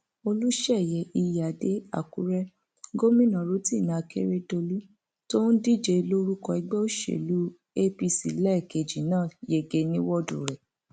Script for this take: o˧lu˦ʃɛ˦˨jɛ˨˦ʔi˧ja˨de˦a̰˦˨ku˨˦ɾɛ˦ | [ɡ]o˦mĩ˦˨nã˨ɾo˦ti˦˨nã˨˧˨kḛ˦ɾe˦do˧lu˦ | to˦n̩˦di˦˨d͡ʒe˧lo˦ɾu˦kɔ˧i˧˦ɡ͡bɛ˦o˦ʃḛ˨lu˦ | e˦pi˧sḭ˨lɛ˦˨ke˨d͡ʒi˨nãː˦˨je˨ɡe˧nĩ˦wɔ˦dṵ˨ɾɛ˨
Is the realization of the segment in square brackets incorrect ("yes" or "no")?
no